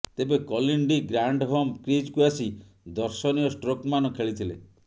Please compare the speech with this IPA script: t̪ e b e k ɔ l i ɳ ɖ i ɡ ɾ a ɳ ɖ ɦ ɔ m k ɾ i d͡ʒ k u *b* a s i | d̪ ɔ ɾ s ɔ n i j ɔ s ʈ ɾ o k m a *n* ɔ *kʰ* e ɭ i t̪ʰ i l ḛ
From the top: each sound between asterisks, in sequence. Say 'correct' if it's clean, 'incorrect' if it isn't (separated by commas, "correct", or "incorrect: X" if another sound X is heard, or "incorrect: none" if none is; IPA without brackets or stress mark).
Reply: incorrect: none, correct, correct